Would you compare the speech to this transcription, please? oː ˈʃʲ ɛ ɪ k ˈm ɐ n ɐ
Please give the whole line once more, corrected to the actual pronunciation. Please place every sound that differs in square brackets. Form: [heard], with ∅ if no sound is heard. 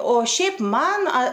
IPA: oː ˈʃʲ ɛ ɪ [p] ˈm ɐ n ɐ